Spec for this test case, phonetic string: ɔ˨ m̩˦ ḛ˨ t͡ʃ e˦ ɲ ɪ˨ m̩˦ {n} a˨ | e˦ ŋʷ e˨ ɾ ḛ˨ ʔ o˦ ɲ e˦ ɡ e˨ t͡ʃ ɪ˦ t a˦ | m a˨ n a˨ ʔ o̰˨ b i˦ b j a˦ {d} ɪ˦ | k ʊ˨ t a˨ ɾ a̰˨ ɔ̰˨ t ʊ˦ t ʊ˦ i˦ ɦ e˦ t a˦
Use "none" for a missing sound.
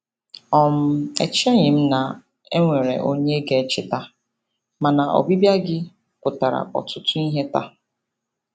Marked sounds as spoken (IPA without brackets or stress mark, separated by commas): n, ɡ